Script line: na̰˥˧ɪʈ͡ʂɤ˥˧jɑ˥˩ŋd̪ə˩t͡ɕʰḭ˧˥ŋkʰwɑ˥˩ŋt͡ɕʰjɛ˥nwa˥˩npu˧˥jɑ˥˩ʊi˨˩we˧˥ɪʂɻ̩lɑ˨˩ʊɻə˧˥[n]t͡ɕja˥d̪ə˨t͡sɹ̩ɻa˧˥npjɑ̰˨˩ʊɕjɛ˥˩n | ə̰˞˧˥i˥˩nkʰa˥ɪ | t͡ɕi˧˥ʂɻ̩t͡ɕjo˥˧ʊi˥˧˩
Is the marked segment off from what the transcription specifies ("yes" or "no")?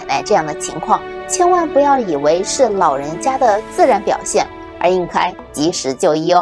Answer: no